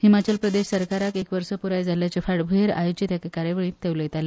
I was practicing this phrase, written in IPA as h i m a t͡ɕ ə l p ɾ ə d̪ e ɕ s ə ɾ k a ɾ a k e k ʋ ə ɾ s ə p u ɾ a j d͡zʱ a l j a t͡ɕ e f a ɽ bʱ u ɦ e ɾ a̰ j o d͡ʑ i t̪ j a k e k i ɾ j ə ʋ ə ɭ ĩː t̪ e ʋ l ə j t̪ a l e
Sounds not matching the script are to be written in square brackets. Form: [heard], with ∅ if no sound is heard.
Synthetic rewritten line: h i m a t͡ɕ ə l p ɾ ə d̪ e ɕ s ə ɾ k a ɾ a k e k ʋ ə ɾ s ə p u ɾ a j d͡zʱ a l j a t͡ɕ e f a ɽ bʱ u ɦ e ɾ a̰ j o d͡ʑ i t̪ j a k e k [a] ɾ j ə ʋ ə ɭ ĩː t̪ e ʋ l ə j t̪ a l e